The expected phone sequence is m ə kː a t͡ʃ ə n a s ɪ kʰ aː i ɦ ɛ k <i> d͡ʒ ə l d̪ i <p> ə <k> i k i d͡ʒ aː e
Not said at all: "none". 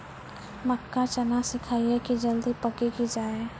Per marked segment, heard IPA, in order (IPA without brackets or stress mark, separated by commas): i, p, k